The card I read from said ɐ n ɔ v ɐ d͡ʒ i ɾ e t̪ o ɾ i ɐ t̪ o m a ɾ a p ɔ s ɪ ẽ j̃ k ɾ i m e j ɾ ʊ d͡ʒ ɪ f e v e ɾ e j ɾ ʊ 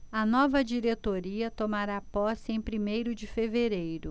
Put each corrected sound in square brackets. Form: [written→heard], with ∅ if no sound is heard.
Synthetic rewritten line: ɐ n ɔ v ɐ d͡ʒ i ɾ e t̪ o ɾ i ɐ t̪ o m a ɾ a p ɔ s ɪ ẽ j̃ [k→p] ɾ i m e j ɾ ʊ d͡ʒ ɪ f e v e ɾ e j ɾ ʊ